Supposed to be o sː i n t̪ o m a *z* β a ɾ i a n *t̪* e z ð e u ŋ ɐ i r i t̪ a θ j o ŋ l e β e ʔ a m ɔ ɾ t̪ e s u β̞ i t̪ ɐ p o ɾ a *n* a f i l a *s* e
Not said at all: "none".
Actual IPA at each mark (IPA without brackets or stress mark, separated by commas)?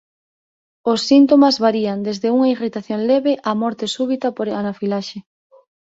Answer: z, d̪, n, ʃ